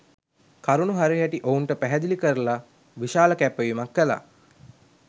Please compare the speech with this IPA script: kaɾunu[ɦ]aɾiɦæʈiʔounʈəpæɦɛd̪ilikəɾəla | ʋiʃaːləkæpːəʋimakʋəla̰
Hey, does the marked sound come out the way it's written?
yes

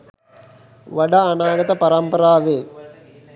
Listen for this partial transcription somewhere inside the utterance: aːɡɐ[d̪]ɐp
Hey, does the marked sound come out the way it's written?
no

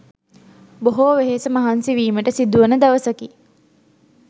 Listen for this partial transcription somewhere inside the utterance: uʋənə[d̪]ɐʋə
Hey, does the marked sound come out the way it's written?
yes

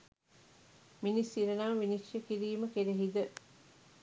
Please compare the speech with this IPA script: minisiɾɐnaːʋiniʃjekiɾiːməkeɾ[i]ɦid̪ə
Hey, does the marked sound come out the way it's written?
no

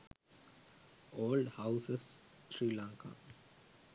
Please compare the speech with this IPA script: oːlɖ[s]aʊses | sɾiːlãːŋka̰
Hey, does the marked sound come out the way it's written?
no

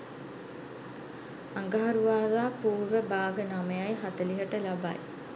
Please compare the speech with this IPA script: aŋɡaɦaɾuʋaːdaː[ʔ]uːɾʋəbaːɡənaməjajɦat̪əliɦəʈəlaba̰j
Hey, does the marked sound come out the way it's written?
no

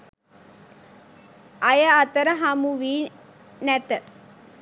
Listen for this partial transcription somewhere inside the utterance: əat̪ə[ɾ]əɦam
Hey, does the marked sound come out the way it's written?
yes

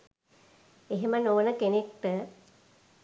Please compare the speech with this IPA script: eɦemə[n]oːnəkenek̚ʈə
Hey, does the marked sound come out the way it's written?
yes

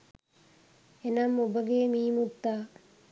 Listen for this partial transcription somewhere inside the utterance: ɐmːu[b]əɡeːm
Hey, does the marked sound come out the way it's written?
yes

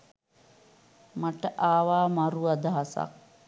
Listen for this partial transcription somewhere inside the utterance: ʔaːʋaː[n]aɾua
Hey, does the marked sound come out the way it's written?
no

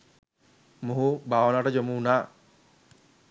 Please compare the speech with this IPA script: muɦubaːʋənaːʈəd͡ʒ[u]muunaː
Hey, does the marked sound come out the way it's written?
no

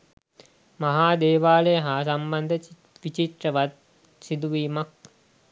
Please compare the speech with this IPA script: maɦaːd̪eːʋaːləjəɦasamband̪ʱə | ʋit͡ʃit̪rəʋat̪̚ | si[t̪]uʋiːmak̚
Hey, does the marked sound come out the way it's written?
no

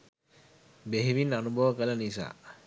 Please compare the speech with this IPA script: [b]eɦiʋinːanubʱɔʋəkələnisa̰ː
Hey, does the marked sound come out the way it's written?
yes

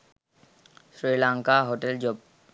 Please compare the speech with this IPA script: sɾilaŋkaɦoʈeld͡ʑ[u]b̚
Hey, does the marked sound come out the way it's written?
no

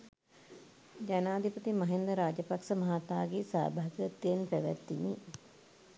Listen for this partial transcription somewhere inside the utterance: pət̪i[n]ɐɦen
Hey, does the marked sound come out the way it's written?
no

